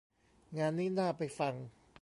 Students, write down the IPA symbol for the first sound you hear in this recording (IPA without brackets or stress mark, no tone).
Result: ŋ